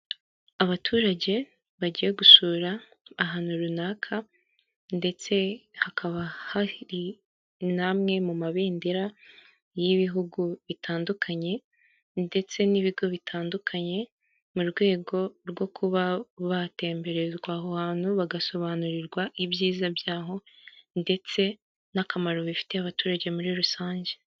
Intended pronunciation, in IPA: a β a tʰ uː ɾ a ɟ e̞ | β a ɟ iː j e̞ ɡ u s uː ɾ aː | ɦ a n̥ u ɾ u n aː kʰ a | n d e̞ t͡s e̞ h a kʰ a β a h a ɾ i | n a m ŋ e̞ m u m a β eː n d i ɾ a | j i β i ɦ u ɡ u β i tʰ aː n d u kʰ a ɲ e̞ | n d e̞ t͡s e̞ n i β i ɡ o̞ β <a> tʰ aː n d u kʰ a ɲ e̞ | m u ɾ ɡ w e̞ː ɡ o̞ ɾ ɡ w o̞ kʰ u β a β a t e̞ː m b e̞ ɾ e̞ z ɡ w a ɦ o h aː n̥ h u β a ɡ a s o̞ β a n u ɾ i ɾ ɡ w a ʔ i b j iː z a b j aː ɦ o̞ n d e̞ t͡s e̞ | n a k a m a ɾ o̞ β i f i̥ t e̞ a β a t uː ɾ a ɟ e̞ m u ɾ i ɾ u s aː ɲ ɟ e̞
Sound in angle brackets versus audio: incorrect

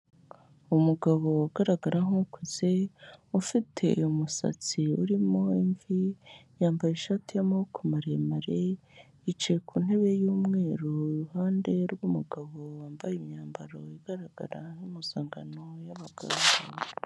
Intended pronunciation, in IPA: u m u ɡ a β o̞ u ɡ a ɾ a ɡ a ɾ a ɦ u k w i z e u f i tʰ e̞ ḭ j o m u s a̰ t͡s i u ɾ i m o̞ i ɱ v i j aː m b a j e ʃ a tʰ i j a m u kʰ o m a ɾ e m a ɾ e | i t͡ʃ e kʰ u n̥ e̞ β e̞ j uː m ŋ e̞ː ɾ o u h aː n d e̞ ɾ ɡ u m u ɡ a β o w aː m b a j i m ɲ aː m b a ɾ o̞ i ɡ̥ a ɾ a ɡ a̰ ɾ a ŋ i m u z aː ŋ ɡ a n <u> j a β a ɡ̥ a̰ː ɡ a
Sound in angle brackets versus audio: incorrect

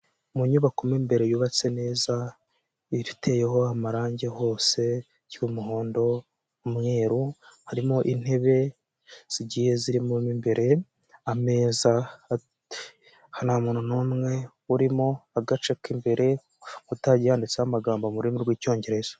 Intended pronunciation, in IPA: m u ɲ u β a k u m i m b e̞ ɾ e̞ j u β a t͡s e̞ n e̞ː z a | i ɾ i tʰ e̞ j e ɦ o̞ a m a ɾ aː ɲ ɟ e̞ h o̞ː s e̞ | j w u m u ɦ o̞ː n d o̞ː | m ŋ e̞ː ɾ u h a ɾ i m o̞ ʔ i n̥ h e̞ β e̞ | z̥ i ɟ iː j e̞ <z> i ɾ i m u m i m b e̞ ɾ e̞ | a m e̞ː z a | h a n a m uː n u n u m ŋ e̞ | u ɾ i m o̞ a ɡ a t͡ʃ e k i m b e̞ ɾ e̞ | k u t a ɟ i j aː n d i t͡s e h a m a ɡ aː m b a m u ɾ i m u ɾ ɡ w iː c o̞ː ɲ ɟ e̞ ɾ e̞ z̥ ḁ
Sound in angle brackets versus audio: correct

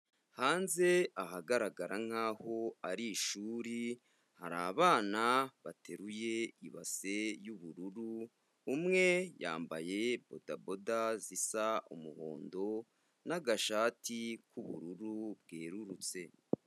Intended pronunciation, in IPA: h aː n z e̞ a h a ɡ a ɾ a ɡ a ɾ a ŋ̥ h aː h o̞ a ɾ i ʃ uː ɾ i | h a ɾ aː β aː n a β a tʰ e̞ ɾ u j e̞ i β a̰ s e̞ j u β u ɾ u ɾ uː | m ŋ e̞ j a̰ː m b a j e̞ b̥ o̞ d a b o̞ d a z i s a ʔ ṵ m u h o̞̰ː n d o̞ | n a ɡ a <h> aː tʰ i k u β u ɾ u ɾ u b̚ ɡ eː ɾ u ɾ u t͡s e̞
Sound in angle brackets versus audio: incorrect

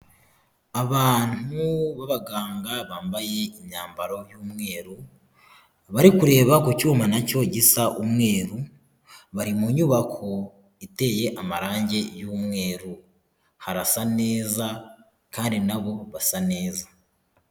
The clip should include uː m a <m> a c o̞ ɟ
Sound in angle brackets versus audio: incorrect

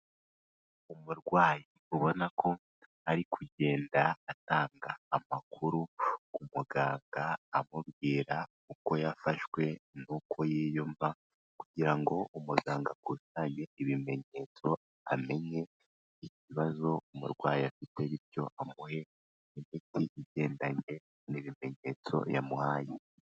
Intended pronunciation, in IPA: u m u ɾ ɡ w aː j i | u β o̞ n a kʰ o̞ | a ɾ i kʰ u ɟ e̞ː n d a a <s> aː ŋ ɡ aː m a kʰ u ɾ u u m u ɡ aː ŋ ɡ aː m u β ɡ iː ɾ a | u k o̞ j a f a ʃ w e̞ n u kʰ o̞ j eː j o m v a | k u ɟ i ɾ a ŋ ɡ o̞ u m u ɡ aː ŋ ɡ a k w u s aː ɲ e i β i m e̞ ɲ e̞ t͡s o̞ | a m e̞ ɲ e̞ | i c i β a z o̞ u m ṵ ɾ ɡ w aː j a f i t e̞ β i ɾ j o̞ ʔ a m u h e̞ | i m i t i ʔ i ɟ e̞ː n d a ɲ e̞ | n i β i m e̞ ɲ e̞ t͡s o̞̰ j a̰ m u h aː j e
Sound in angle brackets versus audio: incorrect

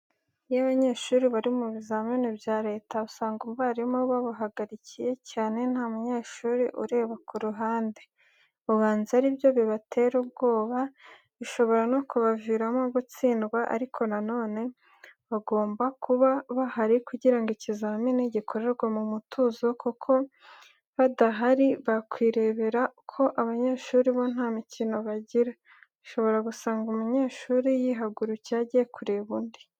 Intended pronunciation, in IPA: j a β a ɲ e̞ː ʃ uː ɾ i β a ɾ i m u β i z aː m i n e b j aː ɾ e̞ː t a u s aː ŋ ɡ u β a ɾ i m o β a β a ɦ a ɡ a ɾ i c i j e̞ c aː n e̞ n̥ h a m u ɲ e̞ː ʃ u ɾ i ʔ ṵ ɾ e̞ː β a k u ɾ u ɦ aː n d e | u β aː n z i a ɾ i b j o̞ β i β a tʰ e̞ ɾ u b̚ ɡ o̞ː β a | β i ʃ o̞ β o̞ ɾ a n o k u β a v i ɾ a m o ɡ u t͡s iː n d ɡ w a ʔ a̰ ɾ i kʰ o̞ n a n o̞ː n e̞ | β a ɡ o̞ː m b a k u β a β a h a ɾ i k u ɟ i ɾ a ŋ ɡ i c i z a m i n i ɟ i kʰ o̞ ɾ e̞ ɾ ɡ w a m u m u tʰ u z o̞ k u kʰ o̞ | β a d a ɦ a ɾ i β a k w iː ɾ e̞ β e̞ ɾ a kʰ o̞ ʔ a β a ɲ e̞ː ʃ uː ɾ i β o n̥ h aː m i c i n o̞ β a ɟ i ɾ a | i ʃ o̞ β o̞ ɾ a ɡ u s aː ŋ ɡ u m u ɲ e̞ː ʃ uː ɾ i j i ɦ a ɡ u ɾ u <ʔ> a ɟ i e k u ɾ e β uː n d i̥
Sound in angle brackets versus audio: incorrect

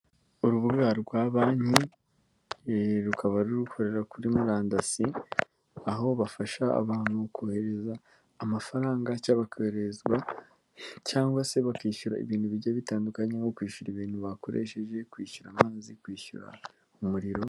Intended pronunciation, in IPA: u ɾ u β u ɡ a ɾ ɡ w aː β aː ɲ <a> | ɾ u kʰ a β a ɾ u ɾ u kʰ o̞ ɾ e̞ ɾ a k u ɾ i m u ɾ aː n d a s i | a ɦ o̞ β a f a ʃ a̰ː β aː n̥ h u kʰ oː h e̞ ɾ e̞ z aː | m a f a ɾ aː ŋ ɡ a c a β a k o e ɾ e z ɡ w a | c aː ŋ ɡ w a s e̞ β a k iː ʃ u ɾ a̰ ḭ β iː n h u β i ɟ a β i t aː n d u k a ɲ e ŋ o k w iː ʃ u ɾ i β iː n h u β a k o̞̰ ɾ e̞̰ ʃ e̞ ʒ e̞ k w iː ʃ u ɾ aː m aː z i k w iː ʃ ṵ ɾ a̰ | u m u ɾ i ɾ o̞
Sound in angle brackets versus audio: incorrect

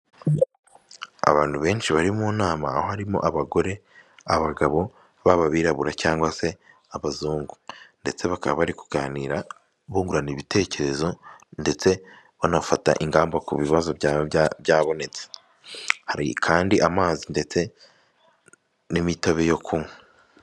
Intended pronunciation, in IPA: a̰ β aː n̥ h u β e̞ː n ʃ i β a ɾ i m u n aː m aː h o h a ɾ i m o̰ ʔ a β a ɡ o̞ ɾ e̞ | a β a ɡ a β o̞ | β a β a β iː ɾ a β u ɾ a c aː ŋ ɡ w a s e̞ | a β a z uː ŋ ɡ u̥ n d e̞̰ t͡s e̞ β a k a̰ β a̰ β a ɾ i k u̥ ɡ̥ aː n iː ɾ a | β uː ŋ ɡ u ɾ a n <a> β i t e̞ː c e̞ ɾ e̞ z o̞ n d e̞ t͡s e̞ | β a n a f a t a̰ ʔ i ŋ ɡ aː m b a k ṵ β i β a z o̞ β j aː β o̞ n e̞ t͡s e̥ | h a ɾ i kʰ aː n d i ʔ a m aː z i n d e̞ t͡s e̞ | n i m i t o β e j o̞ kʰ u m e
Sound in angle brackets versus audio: incorrect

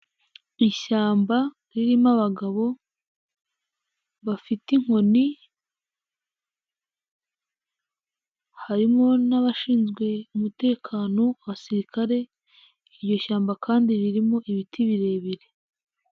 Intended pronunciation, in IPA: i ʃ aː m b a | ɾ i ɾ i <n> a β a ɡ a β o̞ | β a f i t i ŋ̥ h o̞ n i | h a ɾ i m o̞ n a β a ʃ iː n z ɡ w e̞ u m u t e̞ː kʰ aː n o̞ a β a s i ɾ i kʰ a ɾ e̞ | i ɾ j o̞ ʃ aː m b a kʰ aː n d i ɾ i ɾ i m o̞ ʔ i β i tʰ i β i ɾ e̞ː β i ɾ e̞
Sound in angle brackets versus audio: incorrect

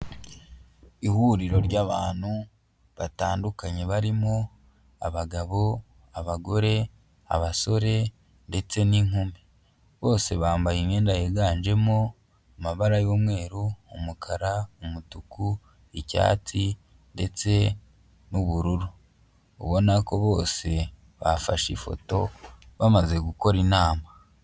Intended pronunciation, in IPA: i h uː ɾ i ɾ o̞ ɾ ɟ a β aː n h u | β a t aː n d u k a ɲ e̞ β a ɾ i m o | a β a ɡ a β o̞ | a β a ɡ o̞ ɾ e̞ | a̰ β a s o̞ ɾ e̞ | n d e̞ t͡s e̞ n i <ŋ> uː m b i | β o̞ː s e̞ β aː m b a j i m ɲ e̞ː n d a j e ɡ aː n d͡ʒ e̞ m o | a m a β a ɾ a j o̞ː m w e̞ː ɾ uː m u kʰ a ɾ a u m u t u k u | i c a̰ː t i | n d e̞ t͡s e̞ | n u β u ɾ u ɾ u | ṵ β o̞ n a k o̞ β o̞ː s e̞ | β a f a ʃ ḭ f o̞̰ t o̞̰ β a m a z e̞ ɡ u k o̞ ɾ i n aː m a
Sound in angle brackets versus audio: correct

